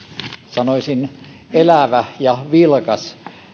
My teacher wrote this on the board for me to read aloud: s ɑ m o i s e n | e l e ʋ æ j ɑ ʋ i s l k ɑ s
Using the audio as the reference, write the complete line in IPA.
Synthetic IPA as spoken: s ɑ n o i s i n | e l æ ʋ æ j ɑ ʋ i l k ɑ s